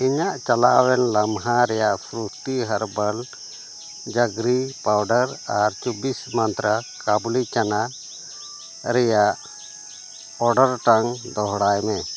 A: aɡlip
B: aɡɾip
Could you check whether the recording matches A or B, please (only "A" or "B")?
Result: B